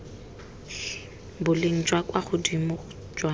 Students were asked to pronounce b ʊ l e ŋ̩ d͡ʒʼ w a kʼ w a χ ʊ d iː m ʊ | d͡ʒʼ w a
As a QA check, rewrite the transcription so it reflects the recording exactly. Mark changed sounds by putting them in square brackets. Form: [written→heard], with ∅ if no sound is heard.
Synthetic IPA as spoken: b ʊ l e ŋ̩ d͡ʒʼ w a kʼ w a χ ʊ d [iː→i] m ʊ | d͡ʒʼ w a